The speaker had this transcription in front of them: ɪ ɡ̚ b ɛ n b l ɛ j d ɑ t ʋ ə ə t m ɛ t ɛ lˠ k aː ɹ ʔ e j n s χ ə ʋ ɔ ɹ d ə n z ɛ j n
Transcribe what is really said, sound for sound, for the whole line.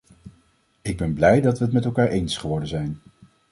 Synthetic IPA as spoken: ɪ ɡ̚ b ɛ n b l ɛ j d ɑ t ʋ ə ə t m ɛ t ɛ lˠ k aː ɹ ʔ e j n s χ ə ʋ ɔ ɹ d ə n z ɛ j n